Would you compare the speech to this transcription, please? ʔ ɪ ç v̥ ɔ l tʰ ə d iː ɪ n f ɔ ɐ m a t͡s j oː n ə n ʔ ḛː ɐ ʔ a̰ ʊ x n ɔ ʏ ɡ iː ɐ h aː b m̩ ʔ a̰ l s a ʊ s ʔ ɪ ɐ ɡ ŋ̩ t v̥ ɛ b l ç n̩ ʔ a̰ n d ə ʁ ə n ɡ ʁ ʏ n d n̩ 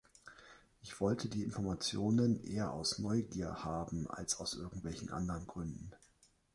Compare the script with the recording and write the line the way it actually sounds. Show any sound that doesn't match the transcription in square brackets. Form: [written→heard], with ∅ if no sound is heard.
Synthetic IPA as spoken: ʔ ɪ ç v̥ ɔ l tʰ ə d iː ɪ n f ɔ ɐ m a t͡s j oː n ə n ʔ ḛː ɐ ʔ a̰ ʊ [x→s] n ɔ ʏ ɡ iː ɐ h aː b m̩ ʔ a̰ l s a ʊ s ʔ ɪ ɐ ɡ ŋ̩ t v̥ ɛ [b→∅] l ç n̩ ʔ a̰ n d ə ʁ ə n ɡ ʁ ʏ n d n̩